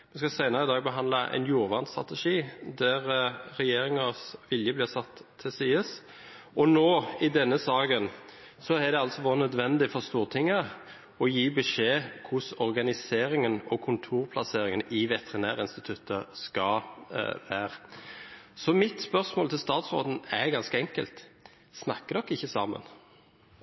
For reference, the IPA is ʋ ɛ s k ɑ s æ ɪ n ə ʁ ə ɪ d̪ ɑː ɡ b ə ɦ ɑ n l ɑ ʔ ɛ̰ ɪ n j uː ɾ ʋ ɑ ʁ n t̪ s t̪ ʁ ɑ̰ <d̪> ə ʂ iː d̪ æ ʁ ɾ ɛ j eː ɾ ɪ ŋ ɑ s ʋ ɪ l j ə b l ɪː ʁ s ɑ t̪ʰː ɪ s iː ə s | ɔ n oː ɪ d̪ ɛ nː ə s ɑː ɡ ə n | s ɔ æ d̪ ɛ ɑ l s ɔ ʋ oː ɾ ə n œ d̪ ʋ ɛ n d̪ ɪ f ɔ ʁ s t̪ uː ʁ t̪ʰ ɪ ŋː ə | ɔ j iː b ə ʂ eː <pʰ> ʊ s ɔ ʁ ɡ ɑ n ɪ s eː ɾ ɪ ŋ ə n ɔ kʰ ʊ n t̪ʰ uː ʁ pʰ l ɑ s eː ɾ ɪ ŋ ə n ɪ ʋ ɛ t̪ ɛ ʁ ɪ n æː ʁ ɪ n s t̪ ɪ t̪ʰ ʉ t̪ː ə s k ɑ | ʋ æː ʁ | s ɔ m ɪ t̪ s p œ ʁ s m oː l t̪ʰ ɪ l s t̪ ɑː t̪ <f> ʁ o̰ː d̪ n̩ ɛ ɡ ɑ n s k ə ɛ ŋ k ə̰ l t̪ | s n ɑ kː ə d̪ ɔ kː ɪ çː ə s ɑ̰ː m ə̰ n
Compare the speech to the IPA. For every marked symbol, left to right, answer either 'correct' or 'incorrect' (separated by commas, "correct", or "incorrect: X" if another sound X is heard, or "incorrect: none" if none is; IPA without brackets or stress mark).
incorrect: t̪, incorrect: kʰ, incorrect: s